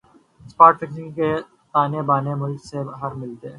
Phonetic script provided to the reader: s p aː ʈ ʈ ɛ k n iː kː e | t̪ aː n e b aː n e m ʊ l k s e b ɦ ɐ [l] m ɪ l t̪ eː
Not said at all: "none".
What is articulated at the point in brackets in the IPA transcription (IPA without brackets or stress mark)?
ɾ